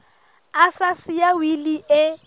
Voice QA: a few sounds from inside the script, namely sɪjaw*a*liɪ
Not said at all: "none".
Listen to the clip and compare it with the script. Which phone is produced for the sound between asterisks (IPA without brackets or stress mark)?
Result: i